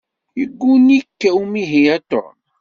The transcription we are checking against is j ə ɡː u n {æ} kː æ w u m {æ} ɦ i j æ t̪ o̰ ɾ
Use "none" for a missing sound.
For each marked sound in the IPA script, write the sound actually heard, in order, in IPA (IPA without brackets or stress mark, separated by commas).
i, i